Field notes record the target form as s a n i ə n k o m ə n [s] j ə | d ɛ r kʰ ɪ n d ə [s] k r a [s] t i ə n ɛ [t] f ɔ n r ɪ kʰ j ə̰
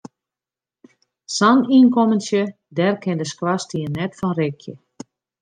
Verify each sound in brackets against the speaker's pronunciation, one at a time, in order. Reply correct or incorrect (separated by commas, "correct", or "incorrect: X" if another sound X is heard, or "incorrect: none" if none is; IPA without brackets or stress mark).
correct, correct, correct, correct